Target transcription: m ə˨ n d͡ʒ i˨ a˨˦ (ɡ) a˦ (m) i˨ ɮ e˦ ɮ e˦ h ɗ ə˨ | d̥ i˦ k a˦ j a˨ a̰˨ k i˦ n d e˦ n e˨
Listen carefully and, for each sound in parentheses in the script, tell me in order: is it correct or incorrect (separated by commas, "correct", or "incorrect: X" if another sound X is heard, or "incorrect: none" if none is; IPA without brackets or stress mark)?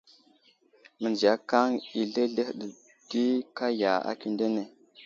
incorrect: k, incorrect: ŋ